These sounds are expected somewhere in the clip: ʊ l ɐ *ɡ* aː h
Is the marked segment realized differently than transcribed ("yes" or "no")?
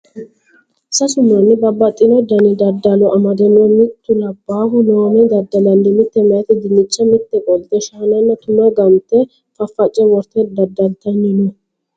yes